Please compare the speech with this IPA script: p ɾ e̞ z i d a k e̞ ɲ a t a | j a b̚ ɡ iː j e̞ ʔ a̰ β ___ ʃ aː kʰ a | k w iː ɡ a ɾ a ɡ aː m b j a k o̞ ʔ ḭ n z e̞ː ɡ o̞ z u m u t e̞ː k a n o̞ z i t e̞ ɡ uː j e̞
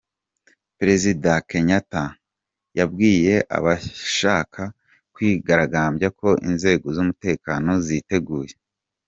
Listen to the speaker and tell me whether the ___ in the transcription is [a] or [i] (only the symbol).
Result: a